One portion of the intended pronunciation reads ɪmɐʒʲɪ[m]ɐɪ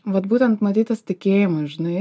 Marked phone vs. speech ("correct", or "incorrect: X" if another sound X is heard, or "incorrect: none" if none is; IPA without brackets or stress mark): incorrect: n